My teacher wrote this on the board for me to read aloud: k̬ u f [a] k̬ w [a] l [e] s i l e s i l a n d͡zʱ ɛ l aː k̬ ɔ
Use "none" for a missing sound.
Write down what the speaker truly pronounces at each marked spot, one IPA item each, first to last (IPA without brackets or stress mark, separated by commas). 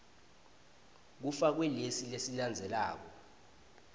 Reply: a, ɛ, e